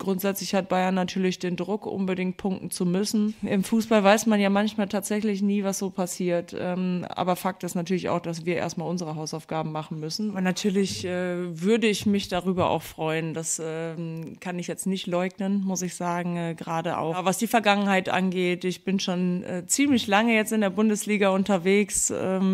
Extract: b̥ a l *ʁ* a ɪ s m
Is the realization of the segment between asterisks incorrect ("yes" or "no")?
yes